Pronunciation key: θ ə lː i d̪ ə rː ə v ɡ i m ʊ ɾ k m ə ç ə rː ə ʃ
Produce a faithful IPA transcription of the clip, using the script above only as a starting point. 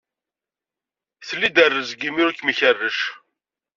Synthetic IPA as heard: θ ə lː i d̪ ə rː ə z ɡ i m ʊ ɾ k m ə ç ə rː ə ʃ